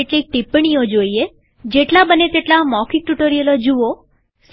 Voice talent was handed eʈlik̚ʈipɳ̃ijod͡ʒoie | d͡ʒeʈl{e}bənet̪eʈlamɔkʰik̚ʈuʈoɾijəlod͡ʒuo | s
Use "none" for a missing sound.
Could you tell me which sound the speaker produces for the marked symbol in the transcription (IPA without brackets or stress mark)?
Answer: a